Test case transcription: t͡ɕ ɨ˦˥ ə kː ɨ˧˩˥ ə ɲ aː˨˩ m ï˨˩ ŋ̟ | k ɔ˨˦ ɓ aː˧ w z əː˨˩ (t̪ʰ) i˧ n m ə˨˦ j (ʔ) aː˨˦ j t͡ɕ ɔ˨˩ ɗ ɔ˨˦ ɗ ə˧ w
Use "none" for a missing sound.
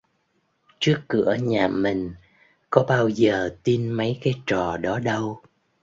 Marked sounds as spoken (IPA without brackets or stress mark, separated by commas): t̪, k